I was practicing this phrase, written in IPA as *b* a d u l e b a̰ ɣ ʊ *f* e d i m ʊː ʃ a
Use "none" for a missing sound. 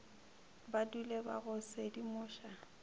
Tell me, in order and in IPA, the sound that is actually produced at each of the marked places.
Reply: b, s

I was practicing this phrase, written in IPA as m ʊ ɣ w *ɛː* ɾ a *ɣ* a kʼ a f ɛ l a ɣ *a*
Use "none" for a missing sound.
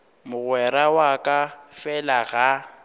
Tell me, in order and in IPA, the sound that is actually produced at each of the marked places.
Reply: ɛ, w, a

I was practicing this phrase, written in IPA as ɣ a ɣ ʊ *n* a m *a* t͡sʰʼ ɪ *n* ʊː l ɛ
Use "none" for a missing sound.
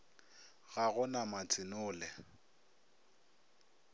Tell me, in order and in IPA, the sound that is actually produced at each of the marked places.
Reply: n, a, n

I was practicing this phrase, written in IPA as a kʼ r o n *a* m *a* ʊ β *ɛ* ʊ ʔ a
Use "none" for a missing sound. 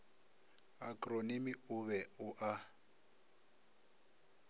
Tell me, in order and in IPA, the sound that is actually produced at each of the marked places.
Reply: i, i, ɛ

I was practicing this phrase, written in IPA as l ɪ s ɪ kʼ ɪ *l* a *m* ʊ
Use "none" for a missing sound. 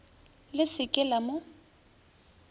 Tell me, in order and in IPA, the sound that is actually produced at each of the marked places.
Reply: l, m

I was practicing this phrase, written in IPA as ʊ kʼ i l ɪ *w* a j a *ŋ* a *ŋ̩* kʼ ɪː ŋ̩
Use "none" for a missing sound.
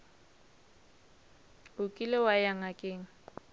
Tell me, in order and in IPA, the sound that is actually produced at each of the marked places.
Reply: w, ŋ, none

